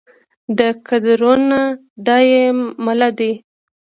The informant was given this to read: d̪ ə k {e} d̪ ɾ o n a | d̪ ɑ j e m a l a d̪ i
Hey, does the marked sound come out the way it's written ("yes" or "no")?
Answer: no